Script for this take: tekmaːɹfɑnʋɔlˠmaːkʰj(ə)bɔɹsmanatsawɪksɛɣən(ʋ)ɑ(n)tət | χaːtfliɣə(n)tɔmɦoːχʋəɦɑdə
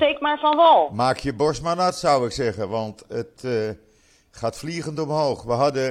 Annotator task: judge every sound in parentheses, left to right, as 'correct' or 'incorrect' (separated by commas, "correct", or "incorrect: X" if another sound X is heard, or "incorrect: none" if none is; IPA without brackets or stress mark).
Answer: correct, correct, correct, correct